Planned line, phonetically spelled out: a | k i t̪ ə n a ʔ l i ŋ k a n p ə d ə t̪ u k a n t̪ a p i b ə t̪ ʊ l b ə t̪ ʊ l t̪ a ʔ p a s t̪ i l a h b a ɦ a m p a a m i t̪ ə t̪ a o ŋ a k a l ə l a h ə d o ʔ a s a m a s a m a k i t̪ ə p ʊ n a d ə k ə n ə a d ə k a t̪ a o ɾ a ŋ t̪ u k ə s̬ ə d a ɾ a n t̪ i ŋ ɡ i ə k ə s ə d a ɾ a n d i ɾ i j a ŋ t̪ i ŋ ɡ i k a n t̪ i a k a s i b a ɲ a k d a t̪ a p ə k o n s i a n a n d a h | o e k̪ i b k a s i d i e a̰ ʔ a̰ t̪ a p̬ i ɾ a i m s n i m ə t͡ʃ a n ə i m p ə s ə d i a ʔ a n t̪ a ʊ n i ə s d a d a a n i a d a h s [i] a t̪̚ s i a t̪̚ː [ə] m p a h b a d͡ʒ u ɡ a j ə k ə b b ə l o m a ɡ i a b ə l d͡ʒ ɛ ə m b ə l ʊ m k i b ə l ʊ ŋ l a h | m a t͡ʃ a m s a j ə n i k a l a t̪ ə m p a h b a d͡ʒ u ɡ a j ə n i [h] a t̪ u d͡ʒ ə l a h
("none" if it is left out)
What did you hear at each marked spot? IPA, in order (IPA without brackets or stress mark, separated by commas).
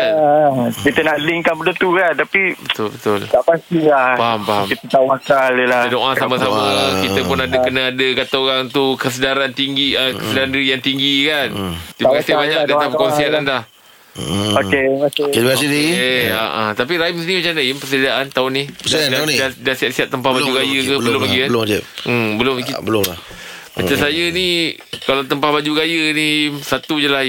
i, ə, s